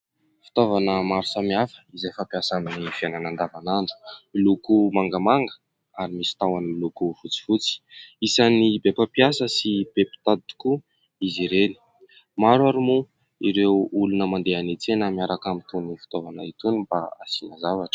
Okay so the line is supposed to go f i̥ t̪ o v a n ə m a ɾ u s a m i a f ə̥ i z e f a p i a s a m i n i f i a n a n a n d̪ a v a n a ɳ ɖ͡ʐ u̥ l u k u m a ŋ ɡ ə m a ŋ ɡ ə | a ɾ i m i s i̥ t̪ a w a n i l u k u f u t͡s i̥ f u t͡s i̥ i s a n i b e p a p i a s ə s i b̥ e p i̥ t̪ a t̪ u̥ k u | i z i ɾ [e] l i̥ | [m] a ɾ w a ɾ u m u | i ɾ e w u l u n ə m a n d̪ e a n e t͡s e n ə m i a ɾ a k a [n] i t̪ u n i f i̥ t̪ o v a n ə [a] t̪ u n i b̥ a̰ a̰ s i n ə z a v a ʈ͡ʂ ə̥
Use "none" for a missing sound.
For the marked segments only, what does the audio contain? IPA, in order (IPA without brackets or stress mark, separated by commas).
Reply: e, m, m, i